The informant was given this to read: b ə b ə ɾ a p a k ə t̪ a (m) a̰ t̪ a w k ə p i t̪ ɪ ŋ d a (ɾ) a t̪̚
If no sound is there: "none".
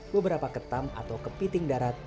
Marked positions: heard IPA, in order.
m, ɾ

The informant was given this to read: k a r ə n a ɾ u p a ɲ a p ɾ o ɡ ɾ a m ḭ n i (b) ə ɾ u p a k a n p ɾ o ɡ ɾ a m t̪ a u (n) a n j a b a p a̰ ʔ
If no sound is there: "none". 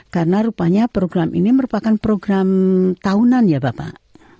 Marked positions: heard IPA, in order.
m, n

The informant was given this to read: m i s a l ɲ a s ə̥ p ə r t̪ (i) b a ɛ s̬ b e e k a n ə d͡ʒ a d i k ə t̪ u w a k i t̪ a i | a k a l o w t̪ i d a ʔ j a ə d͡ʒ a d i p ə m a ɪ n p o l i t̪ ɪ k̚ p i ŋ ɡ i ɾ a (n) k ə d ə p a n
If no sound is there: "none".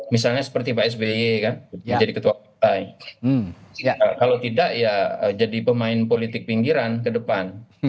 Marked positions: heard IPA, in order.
i, n

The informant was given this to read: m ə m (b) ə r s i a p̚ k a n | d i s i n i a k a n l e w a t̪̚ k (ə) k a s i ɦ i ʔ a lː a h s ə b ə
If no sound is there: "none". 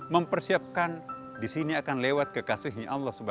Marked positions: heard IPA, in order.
p, ə

